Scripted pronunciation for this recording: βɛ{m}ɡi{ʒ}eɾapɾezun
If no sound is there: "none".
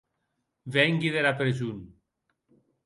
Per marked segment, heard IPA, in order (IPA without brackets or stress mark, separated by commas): ŋ, ð